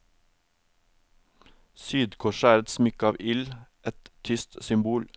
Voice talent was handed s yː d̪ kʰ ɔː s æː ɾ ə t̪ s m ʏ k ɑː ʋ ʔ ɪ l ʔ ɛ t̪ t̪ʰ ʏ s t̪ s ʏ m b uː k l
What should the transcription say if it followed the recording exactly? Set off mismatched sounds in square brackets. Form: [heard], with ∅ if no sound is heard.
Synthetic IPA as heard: s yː d̪ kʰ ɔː [ʃ] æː ɾ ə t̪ s m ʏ k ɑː ʋ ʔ ɪ l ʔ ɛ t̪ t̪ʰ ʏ s t̪ s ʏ m b uː [∅] l